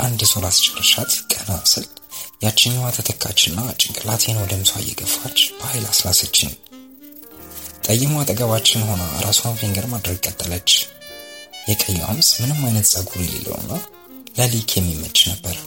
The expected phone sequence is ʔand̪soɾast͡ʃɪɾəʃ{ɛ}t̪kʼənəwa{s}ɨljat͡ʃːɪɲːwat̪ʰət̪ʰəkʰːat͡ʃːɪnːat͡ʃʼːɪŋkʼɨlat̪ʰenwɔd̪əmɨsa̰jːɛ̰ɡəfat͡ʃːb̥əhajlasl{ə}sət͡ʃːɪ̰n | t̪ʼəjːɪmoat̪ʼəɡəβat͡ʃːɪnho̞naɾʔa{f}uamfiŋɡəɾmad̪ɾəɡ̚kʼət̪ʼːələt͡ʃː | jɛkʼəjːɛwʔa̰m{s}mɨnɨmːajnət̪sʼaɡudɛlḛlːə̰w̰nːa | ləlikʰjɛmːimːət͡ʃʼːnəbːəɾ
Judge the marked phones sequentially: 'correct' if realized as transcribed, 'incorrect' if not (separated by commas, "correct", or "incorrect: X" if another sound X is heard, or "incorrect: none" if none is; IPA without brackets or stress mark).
incorrect: a, correct, incorrect: a, incorrect: s, correct